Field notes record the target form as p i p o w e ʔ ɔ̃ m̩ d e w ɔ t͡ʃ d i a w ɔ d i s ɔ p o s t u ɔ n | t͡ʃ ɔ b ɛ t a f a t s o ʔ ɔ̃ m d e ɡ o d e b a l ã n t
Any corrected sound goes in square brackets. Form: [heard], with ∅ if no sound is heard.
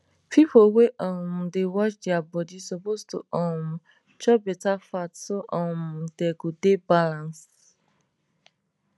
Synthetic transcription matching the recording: p i p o w e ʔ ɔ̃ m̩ d e w ɔ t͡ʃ d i a [b] ɔ d i s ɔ p o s t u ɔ [m] | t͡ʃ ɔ b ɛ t a f a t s o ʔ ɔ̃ m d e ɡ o d e b a l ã n [s]